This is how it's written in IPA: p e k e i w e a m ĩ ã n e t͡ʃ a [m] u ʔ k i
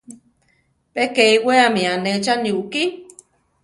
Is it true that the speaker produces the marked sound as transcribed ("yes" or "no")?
no